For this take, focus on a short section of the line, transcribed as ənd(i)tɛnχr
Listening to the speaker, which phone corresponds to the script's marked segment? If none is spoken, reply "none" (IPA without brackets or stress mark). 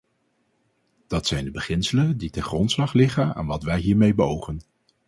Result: i